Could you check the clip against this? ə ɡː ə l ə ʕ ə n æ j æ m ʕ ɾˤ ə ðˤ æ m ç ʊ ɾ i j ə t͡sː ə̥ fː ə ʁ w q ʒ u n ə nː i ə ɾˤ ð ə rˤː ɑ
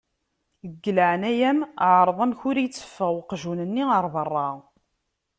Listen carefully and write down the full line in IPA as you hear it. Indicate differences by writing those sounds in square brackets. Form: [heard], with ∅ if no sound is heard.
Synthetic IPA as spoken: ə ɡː ə l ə ʕ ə n æ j æ m ʕ ɾˤ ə ðˤ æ m ç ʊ ɾ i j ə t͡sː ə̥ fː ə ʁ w q ʒ u n ə nː i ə ɾˤ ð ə rˤː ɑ